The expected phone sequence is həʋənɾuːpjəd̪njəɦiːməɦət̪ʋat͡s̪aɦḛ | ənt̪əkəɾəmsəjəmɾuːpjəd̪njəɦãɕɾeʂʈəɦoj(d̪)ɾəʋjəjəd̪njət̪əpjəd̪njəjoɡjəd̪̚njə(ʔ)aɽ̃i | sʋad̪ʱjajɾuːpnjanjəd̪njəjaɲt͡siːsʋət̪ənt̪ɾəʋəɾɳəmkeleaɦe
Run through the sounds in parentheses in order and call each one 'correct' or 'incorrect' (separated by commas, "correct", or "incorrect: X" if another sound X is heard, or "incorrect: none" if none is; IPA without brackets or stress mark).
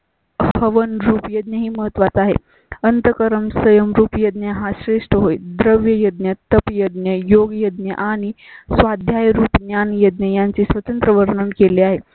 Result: correct, correct